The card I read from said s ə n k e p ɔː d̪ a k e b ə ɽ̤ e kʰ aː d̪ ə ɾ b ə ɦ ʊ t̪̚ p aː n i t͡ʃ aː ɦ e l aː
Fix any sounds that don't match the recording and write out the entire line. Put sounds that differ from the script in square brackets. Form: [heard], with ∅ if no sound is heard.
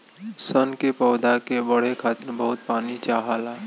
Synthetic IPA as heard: s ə n k e p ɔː d̪ a k e b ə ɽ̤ e kʰ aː [t̪] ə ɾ b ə ɦ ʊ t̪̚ p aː n i t͡ʃ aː ɦ [a] l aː